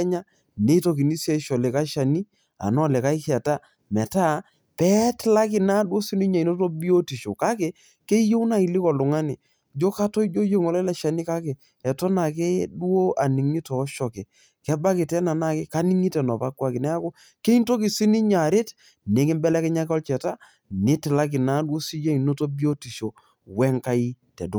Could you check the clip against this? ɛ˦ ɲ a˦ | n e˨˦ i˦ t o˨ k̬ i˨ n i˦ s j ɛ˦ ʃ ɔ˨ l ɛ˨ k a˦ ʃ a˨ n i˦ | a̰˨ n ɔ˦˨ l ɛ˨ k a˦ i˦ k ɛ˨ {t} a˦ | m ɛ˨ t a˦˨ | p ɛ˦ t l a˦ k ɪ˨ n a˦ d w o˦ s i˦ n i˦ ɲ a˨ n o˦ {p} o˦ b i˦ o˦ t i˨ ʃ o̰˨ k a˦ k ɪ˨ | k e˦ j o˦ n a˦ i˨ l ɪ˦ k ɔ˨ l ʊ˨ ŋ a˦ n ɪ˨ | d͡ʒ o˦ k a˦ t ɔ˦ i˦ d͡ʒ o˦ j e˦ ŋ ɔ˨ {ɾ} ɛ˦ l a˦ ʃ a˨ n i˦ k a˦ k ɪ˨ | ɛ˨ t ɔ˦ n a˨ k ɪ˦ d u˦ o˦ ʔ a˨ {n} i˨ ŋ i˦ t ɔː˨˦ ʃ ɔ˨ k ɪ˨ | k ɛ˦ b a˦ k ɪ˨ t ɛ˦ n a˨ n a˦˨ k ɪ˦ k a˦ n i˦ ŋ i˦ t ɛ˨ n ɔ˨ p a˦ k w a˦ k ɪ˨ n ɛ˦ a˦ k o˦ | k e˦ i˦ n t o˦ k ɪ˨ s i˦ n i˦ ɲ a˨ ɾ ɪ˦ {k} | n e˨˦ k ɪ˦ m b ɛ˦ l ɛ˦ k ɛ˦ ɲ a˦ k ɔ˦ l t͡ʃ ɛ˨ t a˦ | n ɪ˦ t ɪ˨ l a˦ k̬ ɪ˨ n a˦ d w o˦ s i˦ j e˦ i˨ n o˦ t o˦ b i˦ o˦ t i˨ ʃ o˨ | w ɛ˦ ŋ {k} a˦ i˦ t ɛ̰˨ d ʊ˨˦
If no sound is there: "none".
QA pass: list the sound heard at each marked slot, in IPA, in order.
t, t, l, n, t, k

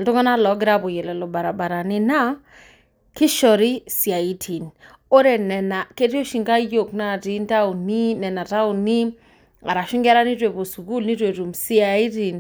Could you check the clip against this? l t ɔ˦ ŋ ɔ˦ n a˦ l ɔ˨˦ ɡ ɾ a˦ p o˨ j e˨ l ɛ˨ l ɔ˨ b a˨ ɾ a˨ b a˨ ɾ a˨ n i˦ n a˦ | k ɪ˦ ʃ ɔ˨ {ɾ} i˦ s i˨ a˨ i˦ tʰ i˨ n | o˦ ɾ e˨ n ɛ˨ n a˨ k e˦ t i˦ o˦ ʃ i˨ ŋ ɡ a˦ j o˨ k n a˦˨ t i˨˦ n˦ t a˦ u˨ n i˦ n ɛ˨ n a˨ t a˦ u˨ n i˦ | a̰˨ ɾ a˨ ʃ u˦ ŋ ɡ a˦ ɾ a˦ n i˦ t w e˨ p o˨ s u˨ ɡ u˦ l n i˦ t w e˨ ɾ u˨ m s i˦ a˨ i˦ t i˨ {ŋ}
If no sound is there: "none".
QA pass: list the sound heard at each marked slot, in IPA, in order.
ɾ, n

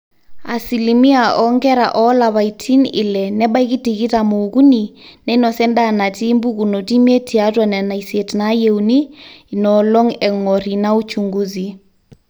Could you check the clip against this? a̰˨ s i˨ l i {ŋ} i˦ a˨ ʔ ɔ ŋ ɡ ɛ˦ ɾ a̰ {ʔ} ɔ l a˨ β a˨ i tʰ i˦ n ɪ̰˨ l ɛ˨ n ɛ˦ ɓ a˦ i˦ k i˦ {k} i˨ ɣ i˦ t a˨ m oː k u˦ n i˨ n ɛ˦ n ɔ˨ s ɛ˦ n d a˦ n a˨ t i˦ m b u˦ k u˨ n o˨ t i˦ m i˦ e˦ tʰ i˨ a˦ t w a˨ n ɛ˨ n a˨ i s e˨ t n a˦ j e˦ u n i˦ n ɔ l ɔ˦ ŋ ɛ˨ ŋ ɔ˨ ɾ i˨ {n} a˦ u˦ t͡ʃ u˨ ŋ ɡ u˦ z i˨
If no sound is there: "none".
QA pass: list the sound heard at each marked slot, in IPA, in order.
m, ʔ, t, n

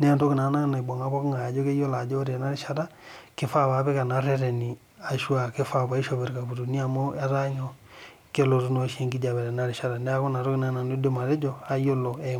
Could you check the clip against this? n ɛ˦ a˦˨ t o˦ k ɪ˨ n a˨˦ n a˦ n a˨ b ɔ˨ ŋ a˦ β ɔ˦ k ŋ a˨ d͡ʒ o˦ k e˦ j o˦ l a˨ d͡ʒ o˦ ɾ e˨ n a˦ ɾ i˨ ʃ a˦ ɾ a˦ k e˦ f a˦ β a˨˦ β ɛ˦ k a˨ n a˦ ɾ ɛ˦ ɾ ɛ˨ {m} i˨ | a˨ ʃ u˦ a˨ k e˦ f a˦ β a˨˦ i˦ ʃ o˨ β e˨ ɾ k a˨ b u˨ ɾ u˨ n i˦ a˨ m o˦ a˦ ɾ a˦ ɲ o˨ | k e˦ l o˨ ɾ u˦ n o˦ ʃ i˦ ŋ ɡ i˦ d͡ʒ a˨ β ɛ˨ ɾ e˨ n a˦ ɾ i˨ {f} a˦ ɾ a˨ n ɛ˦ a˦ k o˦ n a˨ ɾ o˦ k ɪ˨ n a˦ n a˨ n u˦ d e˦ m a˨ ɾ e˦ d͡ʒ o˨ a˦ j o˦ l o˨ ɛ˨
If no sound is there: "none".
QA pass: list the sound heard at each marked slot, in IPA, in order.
n, ʃ

